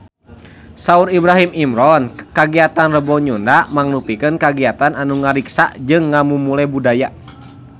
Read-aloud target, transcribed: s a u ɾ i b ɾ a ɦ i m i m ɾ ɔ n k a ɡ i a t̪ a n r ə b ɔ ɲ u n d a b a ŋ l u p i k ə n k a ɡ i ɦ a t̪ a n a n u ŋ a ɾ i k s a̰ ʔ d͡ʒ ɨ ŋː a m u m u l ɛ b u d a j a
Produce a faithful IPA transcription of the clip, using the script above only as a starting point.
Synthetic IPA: s a u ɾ i b ɾ a ɦ i m i m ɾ ɔ n k a ɡ i a t̪ a n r ə b ɔ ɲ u n d a m a ŋ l u p i k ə n k a ɡ i a t̪ a n a n u ŋ a ɾ i k s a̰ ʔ d͡ʒ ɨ ŋː a m u m u l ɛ b u d a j a